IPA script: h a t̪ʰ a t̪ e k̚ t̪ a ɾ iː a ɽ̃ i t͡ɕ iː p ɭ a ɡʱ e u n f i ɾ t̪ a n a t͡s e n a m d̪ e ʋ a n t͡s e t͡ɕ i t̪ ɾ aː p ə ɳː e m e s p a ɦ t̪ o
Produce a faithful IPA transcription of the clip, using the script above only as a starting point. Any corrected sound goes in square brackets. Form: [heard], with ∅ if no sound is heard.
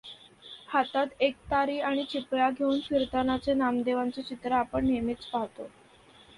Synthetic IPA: h a [t̪] a t̪ e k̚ t̪ a ɾ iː a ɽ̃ i t͡ɕ [i] p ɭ a ɡʱ e u n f i ɾ t̪ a n a t͡s e n a m d̪ e ʋ a n t͡s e t͡ɕ i t̪ ɾ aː p ə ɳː e m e [t͡s] p a ɦ t̪ o

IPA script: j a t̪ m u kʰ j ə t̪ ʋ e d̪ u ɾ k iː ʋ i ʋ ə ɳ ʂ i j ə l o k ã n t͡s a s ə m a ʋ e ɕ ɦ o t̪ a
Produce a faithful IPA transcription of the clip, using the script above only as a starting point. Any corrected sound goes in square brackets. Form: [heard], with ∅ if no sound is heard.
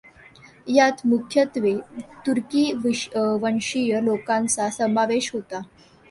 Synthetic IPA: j a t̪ m u kʰ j ə t̪ ʋ e [t̪] u ɾ k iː ʋ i ʋ ə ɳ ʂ i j ə l o k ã n t͡s a s ə m a ʋ e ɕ ɦ o t̪ a

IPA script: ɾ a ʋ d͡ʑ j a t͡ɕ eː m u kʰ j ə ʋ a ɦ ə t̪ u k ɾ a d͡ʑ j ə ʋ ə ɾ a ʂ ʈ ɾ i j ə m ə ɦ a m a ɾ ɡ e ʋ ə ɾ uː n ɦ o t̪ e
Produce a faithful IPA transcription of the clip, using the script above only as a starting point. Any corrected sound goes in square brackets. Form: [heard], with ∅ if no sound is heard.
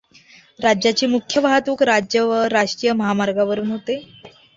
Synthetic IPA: ɾ a [∅] d͡ʑ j a t͡ɕ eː m u kʰ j ə ʋ a ɦ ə t̪ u k ɾ a d͡ʑ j ə ʋ ə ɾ a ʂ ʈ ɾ i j ə m ə ɦ a m a ɾ ɡ [a] ʋ ə ɾ uː n ɦ o t̪ e

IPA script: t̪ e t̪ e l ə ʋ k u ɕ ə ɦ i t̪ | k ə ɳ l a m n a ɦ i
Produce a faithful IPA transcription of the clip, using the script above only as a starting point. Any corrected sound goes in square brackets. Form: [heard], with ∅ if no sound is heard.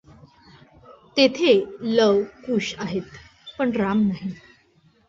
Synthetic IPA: t̪ e [t̪ʰ] e l ə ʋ k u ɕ [a] ɦ [e] t̪ | [p] ə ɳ [ɾ] a m n a ɦ i

